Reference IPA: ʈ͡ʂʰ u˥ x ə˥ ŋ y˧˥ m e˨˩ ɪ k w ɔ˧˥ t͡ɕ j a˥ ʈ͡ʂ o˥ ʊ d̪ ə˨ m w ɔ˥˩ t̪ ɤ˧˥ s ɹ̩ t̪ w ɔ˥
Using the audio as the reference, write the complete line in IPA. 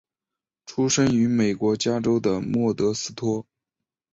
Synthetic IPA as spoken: ʈ͡ʂʰ u˥ ʂ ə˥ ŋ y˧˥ m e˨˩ ɪ k w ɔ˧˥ t͡ɕ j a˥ ʈ͡ʂ o˥ ʊ d̪ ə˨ m w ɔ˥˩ t̪ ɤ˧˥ s ɹ̩ t̪ʰ w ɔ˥